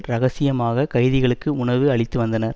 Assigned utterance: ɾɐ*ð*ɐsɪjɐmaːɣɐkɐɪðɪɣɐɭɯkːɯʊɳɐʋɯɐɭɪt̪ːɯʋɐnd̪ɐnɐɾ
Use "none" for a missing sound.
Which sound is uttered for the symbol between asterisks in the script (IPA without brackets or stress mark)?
ɣ